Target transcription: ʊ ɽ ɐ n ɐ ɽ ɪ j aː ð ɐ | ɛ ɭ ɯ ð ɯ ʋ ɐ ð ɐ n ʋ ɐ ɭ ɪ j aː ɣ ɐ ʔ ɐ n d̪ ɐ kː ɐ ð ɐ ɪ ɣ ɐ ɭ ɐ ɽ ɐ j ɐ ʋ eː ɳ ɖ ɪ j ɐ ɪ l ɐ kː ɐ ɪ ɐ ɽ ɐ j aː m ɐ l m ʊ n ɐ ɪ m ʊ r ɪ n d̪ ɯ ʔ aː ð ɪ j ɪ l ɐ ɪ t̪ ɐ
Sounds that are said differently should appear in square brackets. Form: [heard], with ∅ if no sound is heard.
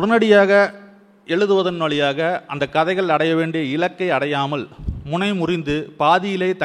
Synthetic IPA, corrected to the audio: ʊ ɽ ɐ n ɐ ɽ ɪ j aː [ɣ] ɐ | ɛ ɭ ɯ ð ɯ ʋ ɐ ð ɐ n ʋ ɐ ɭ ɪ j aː ɣ ɐ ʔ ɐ n d̪ ɐ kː ɐ ð ɐ ɪ ɣ ɐ ɭ ɐ ɽ ɐ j ɐ ʋ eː ɳ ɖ ɪ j ɐ ɪ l ɐ kː ɐ ɪ ɐ ɽ ɐ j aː m ɐ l m ʊ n ɐ ɪ m ʊ r ɪ n d̪ ɯ [p] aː ð ɪ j ɪ l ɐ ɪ t̪ ɐ